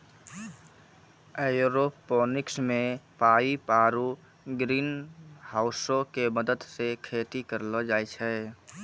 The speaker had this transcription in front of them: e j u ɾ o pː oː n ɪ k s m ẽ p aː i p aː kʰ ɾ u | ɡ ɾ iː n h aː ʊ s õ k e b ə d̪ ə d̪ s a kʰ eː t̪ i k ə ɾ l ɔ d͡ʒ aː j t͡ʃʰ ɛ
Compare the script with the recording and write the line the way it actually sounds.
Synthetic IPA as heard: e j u ɾ o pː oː n ɪ k s m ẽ p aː i p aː ɾ u | ɡ ɾ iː n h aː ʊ s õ k e m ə d̪ ə d̪ s e kʰ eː t̪ i k ə ɾ l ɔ d͡ʒ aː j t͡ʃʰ ɛ